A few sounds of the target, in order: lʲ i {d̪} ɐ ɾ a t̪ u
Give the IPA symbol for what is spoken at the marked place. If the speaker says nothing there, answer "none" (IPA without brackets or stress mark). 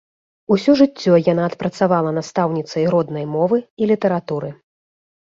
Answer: t̪